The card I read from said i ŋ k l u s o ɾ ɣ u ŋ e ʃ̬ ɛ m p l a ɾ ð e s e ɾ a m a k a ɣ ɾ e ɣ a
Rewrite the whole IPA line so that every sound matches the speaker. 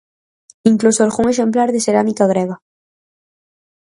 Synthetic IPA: i ŋ k l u s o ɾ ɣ u ŋ e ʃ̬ e m p l a ɾ ð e s e ɾ a m i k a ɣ ɾ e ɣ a